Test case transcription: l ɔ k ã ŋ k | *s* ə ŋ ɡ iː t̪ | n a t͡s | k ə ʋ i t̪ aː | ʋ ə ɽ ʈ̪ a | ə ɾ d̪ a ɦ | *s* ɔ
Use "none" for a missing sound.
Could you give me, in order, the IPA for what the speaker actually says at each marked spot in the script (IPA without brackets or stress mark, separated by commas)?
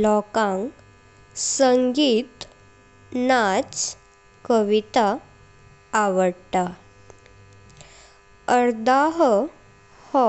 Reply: s, h